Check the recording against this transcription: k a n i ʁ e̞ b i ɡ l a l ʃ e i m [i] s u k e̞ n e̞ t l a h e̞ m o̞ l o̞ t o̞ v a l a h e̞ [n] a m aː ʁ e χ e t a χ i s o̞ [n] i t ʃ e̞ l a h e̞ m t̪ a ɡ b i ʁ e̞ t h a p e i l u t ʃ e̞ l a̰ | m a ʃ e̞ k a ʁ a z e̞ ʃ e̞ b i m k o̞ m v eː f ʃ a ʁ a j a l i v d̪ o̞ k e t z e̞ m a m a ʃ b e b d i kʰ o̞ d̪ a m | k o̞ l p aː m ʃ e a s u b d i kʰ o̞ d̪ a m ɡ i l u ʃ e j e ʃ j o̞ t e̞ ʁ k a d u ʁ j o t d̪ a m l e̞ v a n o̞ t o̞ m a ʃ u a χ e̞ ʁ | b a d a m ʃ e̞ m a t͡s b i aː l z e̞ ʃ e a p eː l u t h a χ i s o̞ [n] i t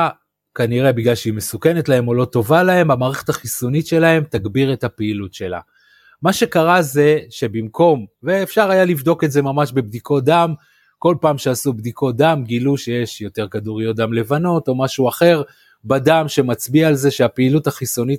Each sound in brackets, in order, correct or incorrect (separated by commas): incorrect, incorrect, correct, correct